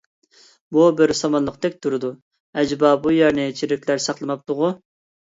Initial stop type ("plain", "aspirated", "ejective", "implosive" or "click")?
plain